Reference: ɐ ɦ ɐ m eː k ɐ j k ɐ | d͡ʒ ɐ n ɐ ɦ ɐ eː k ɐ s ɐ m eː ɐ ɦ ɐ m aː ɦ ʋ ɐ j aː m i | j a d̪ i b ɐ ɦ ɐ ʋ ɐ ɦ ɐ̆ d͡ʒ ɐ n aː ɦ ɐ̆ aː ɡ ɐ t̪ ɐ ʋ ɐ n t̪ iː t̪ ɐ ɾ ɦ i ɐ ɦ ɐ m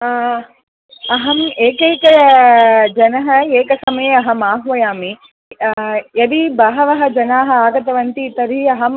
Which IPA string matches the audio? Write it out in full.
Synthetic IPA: ɐ ɦ ɐ m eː k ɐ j k ɐ | d͡ʒ ɐ n ɐ ɦ ɐ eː k ɐ s ɐ m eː ɐ ɦ ɐ m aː ɦ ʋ ɐ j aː m i | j ɐ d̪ i b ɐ ɦ ɐ ʋ ɐ ɦ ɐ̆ d͡ʒ ɐ n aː ɦ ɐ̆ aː ɡ ɐ t̪ ɐ ʋ ɐ n t̪ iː t̪ ɐ ɾ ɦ i ɐ ɦ ɐ m